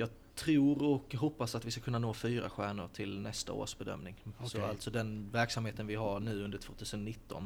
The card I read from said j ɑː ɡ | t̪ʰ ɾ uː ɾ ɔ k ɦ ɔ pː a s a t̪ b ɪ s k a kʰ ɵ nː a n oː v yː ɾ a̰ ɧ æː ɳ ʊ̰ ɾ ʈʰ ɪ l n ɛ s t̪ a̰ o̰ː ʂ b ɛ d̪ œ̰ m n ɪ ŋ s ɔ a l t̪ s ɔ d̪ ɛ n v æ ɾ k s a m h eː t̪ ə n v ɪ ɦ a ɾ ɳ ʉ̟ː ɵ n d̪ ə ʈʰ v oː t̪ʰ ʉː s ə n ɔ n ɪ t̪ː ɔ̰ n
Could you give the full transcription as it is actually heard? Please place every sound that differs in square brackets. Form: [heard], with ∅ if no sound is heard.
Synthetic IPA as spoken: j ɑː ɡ | t̪ʰ ɾ uː ɾ ɔ k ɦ ɔ pː a s a t̪ [v] ɪ s k a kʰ ɵ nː a n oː [f] yː ɾ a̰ ɧ æː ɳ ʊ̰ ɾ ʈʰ ɪ l n ɛ s t̪ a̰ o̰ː ʂ b ɛ d̪ œ̰ m n ɪ ŋ s ɔ a l t̪ s ɔ d̪ ɛ n v æ ɾ k s a m h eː t̪ ə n v ɪ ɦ a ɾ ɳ ʉ̟ː ɵ n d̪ ə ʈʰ v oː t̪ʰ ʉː s ə n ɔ n ɪ t̪ː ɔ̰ n